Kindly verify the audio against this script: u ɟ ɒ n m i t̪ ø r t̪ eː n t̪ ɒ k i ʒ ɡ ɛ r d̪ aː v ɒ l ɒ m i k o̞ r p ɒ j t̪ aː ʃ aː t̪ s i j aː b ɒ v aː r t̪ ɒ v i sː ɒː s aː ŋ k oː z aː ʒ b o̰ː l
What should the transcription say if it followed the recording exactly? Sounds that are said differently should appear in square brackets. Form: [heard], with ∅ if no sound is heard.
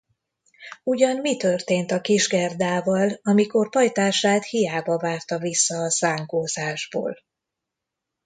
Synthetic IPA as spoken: u ɟ ɒ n m i t̪ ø r t̪ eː n t̪ ɒ k i ʒ ɡ ɛ r d̪ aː v ɒ l ɒ m i k o̞ r p ɒ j t̪ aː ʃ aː t̪ [h] i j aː b ɒ v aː r t̪ ɒ v i sː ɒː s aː ŋ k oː z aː ʒ b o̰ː l